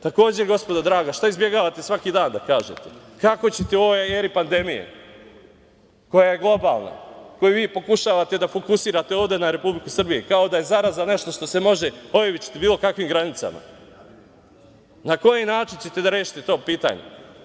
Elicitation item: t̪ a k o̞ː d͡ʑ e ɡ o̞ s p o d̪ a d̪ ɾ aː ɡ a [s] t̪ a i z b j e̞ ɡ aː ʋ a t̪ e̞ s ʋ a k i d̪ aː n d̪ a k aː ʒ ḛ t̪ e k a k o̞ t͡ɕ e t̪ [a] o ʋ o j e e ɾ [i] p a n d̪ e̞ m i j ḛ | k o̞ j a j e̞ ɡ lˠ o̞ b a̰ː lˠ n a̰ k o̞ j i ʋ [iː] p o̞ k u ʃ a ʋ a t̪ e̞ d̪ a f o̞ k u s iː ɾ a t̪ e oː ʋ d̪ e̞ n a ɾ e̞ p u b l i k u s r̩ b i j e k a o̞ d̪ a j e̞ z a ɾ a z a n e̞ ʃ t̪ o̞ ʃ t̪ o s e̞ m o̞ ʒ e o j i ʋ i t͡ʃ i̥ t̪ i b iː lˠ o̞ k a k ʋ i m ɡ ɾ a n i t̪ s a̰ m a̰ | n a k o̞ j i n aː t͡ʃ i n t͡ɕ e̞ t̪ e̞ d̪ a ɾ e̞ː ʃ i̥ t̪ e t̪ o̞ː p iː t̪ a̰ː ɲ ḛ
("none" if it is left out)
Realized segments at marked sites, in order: ʃ, e, i, iː

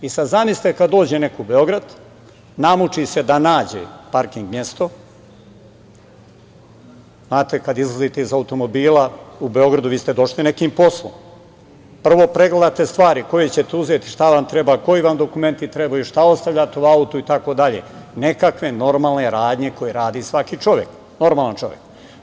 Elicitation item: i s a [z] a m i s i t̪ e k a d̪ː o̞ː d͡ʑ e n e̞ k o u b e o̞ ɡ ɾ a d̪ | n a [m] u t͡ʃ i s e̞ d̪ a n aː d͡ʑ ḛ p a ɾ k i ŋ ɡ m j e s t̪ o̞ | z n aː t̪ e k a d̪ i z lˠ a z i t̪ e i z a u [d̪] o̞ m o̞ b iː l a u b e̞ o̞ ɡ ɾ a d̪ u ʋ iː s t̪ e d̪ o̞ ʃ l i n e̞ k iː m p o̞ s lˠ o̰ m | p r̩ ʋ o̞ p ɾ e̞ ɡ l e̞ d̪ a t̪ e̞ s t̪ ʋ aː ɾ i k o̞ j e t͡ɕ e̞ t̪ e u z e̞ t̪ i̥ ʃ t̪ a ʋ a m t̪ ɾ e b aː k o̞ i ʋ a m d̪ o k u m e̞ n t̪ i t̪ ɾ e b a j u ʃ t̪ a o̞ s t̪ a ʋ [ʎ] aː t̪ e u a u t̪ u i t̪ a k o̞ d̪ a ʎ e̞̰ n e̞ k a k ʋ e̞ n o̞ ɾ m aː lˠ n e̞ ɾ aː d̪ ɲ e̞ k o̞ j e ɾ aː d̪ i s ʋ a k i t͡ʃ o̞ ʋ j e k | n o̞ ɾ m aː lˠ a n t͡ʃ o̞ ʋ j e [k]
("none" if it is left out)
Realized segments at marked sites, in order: z, m, t̪, ʎ, k

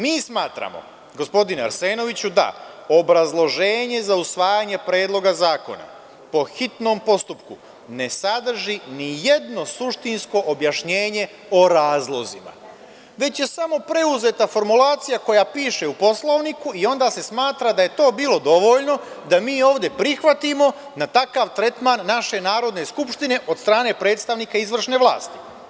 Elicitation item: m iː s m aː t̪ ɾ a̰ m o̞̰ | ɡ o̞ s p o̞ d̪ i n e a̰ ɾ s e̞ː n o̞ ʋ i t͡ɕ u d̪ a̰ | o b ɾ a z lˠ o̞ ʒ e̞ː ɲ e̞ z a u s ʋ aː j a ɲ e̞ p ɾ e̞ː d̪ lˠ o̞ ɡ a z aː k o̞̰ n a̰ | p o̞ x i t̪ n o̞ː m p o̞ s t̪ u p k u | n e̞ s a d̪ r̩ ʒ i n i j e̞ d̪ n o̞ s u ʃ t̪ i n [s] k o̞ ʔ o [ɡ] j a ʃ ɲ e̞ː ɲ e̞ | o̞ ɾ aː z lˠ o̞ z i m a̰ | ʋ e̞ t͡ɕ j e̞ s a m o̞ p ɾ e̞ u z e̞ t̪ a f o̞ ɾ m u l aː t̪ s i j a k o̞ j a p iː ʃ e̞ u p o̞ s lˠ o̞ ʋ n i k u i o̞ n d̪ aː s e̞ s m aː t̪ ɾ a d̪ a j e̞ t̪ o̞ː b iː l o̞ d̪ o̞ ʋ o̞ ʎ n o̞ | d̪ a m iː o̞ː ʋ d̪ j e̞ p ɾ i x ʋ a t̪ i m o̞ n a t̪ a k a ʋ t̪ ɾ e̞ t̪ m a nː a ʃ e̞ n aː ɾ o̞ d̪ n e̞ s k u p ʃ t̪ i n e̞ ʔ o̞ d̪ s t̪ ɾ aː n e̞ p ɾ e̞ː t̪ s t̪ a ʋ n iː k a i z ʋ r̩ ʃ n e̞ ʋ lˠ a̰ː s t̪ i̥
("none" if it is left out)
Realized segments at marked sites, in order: s, b

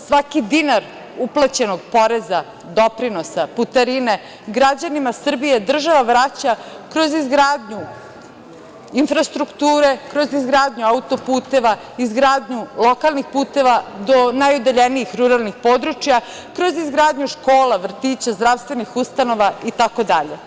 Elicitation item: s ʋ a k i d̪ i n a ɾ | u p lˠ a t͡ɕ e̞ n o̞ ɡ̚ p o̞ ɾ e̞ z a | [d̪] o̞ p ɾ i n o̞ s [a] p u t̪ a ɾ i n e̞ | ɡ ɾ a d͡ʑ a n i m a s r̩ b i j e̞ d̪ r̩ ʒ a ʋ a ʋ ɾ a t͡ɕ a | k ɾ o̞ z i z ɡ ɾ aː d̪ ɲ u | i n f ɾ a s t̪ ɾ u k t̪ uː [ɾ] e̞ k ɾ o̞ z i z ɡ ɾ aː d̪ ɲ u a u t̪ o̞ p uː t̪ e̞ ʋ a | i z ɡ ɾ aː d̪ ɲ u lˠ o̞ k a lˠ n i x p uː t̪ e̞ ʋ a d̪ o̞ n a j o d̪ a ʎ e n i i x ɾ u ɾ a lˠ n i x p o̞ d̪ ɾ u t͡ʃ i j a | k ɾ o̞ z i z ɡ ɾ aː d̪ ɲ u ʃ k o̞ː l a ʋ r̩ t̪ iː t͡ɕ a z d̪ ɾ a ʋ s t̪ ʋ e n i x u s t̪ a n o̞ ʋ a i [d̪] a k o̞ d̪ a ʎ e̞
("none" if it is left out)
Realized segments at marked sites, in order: d̪, a, ɾ, t̪

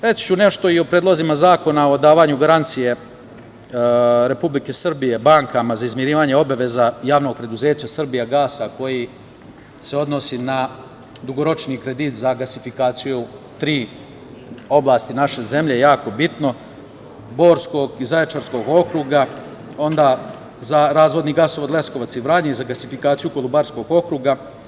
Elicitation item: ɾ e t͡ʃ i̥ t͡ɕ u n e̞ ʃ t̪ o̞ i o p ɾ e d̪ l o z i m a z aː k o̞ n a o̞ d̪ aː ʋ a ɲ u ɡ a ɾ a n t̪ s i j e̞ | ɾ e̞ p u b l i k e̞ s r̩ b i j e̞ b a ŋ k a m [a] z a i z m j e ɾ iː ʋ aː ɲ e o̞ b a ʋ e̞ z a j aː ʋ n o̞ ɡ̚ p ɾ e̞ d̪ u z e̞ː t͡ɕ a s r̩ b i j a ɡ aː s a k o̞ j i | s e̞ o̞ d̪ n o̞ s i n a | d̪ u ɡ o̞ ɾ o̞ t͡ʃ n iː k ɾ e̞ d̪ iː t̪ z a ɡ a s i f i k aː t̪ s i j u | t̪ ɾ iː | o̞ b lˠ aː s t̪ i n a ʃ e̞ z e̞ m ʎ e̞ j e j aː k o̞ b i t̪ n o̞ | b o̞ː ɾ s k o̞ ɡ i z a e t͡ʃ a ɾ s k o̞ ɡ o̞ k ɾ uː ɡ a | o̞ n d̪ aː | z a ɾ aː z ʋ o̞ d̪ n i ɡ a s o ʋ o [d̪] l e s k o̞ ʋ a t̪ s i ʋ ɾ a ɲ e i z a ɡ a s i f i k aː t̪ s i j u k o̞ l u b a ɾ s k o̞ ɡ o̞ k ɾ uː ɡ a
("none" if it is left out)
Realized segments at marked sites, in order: a, d̪

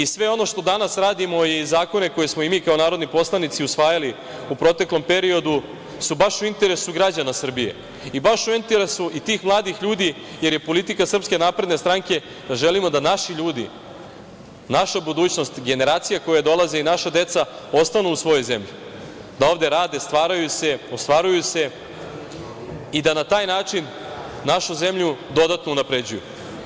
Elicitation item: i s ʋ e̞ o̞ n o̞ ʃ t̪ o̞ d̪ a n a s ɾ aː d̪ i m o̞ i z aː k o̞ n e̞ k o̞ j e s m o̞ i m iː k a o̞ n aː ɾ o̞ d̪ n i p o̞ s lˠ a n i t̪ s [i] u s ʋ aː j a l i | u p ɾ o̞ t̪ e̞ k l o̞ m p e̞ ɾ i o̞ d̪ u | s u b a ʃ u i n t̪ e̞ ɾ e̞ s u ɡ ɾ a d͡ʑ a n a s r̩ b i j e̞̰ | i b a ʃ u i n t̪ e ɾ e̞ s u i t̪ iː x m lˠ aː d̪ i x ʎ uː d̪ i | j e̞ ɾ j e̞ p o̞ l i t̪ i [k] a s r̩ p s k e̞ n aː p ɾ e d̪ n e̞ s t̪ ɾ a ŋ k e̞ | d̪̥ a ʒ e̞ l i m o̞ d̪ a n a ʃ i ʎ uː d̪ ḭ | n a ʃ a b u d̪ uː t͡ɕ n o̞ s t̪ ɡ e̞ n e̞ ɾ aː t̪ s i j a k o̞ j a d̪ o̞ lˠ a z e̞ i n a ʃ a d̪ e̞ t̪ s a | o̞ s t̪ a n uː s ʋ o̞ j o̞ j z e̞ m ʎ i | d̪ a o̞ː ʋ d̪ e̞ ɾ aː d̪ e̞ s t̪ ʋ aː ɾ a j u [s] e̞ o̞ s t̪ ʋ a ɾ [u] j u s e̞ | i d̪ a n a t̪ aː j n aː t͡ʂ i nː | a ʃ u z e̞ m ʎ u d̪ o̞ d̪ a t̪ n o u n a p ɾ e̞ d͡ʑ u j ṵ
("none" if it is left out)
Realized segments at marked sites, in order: i, k, s, u

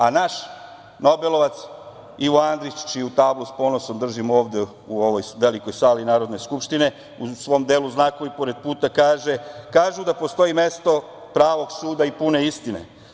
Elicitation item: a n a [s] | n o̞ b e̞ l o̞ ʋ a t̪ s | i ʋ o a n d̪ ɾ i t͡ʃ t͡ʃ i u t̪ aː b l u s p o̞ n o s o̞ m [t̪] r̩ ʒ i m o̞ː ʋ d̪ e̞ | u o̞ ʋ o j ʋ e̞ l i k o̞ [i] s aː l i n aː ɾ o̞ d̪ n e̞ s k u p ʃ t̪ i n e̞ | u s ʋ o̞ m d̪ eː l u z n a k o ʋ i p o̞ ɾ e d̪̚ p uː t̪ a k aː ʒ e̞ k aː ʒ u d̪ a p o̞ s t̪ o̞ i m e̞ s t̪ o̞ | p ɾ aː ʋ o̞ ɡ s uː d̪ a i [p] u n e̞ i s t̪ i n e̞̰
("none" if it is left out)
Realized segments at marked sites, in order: ʃ, d̪, j, p

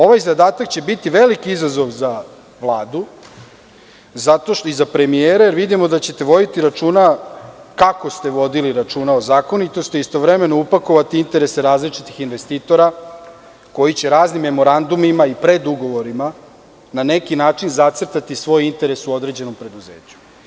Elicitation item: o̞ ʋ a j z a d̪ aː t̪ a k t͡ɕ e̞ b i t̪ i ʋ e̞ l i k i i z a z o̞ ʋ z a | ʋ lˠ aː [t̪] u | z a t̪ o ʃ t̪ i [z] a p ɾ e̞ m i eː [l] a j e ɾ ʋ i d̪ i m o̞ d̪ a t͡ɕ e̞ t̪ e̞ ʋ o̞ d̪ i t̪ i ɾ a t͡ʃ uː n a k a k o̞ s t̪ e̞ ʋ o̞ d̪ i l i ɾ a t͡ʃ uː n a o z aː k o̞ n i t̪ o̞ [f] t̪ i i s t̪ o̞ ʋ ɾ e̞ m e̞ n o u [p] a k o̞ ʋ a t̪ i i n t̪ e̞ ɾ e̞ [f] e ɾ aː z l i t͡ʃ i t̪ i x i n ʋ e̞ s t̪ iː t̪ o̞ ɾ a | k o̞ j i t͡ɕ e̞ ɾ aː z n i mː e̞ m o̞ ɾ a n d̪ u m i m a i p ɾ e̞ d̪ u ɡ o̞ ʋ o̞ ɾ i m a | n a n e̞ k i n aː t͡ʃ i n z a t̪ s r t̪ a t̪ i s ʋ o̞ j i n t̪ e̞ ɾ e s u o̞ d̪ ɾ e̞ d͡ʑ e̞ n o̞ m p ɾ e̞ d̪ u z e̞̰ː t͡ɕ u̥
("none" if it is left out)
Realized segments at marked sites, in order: d̪, z, ɾ, s, p, s

